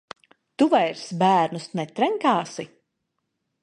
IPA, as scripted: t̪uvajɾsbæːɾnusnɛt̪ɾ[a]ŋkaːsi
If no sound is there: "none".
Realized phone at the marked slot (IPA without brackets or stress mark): ɛ